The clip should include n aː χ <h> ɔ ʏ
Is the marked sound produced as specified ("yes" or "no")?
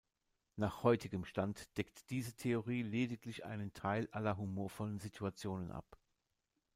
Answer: yes